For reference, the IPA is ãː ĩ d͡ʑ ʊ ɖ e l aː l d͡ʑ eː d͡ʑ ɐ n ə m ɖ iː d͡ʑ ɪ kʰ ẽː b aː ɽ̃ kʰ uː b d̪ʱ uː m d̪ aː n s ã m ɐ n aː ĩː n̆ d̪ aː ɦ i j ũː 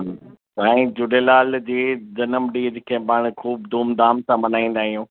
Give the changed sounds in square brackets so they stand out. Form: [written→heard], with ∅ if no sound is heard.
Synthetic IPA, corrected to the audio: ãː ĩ d͡ʑ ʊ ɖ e l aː l d͡ʑ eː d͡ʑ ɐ n ə m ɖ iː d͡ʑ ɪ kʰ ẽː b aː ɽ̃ kʰ uː b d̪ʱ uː m d̪ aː [n→m] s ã m ɐ n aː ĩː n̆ d̪ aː ɦ i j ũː